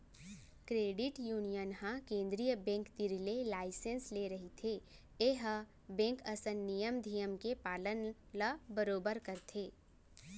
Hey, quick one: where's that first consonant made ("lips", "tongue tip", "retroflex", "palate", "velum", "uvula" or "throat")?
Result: velum